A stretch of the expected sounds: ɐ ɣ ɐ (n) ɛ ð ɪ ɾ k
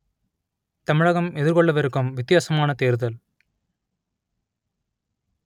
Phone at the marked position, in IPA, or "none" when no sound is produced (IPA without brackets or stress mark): m